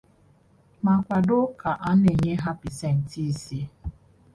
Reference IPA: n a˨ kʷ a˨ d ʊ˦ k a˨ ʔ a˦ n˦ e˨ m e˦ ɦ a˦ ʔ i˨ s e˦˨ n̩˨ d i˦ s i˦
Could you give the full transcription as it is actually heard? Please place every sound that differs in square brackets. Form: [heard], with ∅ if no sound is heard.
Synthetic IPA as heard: [m] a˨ kʷ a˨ d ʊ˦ k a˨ ʔ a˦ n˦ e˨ [ɲ] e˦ ɦ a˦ [p] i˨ s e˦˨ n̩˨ [t] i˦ s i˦